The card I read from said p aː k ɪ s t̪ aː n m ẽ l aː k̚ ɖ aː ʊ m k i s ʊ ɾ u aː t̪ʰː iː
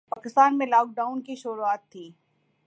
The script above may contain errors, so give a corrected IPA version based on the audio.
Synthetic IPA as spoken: p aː k ɪ s t̪ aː n m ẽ l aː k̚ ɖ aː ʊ n k i ʃ ʊ ɾ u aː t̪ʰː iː